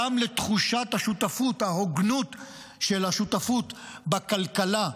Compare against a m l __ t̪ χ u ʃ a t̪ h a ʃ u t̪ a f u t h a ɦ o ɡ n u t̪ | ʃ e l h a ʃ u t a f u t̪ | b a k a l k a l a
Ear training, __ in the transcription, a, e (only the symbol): e